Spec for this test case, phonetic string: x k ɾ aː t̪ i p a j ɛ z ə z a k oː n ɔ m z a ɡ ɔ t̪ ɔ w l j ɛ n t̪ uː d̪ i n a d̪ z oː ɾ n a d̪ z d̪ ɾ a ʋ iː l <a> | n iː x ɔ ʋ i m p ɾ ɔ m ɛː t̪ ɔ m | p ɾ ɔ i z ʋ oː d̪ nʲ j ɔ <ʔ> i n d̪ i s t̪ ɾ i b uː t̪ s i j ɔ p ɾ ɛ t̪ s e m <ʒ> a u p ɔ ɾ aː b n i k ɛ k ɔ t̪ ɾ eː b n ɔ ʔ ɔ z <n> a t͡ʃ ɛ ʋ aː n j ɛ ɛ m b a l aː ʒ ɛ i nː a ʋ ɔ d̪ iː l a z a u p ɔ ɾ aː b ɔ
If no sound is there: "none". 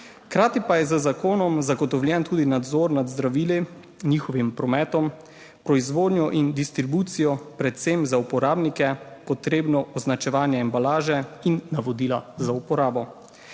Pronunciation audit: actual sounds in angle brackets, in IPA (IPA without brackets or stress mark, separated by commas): i, ʔ, z, n